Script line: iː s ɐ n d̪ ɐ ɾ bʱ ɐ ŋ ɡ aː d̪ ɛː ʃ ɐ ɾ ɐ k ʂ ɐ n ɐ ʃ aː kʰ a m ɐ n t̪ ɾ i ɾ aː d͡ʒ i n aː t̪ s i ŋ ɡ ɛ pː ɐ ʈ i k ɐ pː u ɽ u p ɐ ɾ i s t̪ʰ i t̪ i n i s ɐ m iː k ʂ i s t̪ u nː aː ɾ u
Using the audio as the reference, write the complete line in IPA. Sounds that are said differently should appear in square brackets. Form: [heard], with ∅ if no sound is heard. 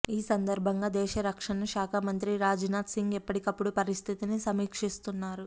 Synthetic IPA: iː s ɐ n d̪ ɐ ɾ bʱ ɐ ŋ ɡ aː d̪ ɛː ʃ ɐ ɾ ɐ k ʂ ɐ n ɐ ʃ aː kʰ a m ɐ n t̪ ɾ i ɾ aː d͡ʒ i n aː t̪ s i ŋ ɡ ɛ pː ɐ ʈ i k ɐ pː u ɽ u p ɐ ɾ i s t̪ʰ i t̪ i n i s ɐ m iː k ʂ i s t̪ u nː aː ɾ u